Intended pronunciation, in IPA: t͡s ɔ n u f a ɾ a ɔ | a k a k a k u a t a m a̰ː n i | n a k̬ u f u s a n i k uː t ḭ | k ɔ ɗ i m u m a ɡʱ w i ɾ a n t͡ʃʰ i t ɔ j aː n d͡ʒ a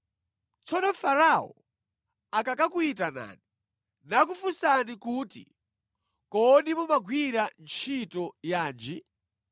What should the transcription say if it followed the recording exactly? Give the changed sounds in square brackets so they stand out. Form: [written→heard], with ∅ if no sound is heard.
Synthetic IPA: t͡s ɔ n [u→ɔ] f a ɾ a ɔ | a k a k a k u [a→i] t a [m→n] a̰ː n i | n a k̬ u f u s a n i k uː t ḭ | k ɔ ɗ i m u m a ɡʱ w i ɾ a n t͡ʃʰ i t ɔ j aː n d͡ʒ [a→i]